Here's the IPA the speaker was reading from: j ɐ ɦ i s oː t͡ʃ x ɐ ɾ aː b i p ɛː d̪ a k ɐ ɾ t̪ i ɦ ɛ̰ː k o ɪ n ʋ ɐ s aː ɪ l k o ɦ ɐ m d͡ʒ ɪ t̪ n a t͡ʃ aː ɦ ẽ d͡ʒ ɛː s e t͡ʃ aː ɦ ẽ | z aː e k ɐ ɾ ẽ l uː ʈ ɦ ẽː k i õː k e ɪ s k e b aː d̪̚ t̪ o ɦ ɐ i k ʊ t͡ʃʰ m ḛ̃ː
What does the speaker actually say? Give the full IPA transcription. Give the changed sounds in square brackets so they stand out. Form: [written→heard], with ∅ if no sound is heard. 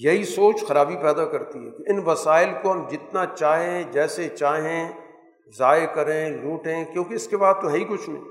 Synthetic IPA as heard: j ɐ ɦ i s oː t͡ʃ x ɐ ɾ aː b i p ɛː d̪ a k ɐ ɾ t̪ i ɦ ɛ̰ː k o ɪ n ʋ ɐ s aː ɪ l k o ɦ ɐ m d͡ʒ ɪ t̪ n a t͡ʃ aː ɦ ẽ d͡ʒ ɛː s e t͡ʃ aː ɦ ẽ | z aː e k ɐ ɾ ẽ l uː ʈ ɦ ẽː k [i→j] õː k e ɪ s k e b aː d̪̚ t̪ o ɦ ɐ i k ʊ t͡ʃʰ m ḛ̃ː